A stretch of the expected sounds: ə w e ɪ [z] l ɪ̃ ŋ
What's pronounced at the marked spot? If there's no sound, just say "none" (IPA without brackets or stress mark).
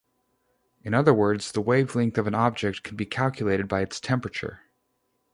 v